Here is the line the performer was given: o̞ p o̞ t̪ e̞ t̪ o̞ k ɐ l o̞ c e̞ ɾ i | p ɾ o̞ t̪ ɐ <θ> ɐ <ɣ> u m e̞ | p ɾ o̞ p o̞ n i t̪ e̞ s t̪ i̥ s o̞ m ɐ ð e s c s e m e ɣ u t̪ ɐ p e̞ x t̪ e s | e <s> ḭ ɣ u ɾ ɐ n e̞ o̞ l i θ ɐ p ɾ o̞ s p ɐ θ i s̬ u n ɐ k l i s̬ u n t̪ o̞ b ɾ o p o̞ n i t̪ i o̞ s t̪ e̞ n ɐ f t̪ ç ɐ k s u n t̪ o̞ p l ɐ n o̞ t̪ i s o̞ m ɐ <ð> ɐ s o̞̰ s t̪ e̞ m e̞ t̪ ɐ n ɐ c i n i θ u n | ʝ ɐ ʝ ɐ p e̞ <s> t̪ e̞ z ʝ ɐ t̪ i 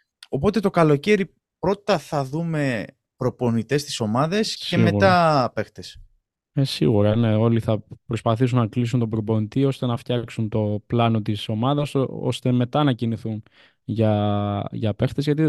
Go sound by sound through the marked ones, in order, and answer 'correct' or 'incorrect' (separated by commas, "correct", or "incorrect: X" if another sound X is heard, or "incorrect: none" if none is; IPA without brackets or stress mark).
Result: correct, incorrect: ð, correct, correct, incorrect: x